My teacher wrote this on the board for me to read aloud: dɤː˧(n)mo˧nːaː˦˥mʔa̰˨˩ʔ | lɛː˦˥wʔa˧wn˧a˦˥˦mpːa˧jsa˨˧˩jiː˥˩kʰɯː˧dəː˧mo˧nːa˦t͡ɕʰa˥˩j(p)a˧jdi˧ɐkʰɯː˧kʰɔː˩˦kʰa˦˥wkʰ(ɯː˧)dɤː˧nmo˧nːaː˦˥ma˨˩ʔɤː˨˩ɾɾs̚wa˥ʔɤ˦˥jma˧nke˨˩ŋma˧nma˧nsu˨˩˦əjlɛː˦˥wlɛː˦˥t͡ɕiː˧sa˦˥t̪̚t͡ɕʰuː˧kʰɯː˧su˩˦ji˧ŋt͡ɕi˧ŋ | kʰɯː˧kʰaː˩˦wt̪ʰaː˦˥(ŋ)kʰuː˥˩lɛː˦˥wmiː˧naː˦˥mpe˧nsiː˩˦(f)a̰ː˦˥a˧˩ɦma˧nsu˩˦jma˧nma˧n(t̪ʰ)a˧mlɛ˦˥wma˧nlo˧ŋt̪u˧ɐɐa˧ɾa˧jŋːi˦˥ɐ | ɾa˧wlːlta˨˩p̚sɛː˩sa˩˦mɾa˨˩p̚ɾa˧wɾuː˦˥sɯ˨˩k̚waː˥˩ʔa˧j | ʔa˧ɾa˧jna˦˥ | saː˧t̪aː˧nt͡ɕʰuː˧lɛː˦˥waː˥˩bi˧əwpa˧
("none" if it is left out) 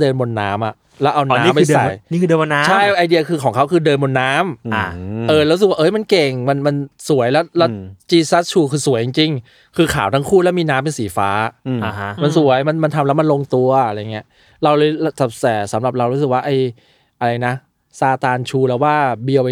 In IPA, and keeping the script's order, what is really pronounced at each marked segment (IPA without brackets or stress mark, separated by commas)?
n, ʔ, ɯː˧, ŋ, f, t̪ʰ